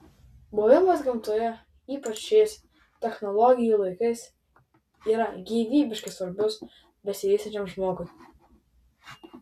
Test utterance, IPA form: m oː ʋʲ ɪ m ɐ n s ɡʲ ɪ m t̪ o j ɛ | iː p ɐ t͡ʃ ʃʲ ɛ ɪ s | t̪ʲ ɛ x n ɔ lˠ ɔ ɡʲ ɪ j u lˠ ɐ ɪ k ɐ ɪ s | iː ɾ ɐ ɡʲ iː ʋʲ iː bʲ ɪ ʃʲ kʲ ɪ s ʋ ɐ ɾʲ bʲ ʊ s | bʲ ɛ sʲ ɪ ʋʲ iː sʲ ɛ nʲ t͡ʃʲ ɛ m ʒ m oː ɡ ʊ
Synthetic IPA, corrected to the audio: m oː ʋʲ ɪ m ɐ s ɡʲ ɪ m t̪ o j ɛ | iː p ɐ t͡ʃ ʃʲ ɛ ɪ s | t̪ʲ ɛ x n ɔ lˠ ɔ ɡʲ ɪ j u lˠ ɐ ɪ k ɐ ɪ s | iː ɾ ɐ ɡʲ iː ʋʲ iː bʲ ɪ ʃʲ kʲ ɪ s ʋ ɐ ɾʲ bʲ ʊ s | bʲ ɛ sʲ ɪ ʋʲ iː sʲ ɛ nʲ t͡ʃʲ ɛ m ʒ m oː ɡ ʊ